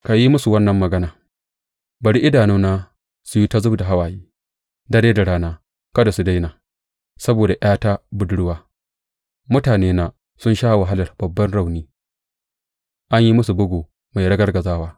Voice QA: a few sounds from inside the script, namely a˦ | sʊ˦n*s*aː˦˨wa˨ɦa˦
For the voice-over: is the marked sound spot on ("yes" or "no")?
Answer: no